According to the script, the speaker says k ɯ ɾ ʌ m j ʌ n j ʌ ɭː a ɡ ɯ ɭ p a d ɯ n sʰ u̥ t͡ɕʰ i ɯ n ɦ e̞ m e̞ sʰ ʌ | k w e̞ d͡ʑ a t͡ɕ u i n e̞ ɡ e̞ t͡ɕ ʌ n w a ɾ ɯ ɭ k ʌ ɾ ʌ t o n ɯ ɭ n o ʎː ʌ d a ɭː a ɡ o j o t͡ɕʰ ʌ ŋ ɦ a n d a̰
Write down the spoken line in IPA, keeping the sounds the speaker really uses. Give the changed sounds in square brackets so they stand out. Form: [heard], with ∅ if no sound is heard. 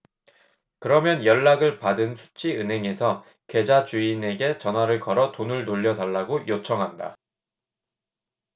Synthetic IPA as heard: k ɯ ɾ ʌ m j ʌ n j ʌ ɭː a ɡ ɯ ɭ p a d ɯ n sʰ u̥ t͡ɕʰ i ɯ n ɦ e̞ [ŋ] e̞ sʰ ʌ | k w e̞ d͡ʑ a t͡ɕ u i n e̞ ɡ e̞ t͡ɕ ʌ n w a ɾ ɯ ɭ k ʌ ɾ ʌ t o n ɯ ɭ n o ʎː ʌ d a ɭː a ɡ o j o t͡ɕʰ ʌ ŋ ɦ a n d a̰